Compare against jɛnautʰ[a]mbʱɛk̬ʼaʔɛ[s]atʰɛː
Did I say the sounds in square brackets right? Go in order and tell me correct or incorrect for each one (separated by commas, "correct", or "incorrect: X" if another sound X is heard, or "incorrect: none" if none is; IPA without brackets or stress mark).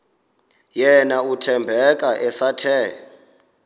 incorrect: ɛ, correct